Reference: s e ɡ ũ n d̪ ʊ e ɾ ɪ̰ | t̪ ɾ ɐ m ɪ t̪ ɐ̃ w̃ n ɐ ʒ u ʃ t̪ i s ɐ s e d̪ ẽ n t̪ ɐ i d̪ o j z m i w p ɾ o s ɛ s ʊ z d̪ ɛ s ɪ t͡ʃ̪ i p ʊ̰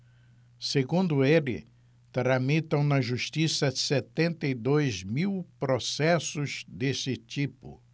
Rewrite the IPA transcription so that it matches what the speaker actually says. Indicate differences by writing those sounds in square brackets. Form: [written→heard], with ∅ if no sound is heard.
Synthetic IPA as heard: s e ɡ ũ n d̪ ʊ e [ɾ→l] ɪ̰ | t̪ ɾ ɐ m [ɪ→i] t̪ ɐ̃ w̃ n ɐ ʒ u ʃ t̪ i s ɐ s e [d̪→t̪] ẽ n t̪ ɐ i d̪ o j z m i w p ɾ o s ɛ s ʊ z d̪ [ɛ→e] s ɪ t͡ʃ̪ i p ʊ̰